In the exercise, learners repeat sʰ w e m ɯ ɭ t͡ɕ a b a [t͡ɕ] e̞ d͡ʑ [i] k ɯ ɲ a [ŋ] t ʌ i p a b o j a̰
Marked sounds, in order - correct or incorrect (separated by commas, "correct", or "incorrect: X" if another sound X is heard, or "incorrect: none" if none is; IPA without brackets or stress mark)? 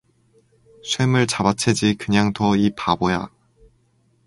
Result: incorrect: t͡ɕʰ, correct, correct